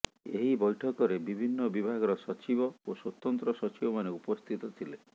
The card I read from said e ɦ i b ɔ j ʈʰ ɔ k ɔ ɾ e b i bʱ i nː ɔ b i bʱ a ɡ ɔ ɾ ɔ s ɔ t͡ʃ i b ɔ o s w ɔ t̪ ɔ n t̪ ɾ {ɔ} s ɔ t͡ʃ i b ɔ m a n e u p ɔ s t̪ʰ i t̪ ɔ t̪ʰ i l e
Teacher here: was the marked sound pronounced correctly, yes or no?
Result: yes